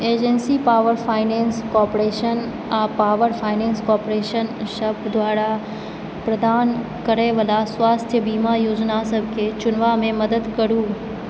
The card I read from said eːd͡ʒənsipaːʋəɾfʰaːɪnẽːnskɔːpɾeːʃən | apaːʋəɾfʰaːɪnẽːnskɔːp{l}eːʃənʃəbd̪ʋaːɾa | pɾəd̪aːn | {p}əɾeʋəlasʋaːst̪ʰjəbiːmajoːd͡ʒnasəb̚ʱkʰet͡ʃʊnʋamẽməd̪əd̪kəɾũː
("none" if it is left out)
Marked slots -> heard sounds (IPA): ɾ, k

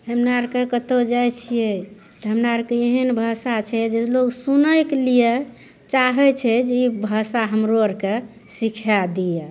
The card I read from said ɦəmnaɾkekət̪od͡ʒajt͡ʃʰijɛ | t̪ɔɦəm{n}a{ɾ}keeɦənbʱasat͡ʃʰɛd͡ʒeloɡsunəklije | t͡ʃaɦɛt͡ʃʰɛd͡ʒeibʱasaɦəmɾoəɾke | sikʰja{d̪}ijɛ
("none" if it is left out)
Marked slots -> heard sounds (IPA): n, ɾ, d̪

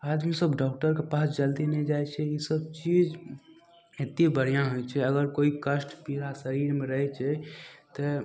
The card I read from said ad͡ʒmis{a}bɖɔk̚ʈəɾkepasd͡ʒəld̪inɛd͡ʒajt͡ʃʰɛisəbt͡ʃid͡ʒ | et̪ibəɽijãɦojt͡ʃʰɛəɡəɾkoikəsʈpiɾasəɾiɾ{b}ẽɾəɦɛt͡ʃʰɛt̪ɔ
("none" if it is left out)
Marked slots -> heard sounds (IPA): ə, m

